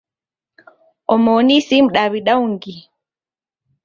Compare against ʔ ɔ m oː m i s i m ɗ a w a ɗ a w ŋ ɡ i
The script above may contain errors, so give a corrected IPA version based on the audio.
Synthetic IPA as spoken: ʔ ɔ m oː n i s i m ɗ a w i ɗ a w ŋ ɡ i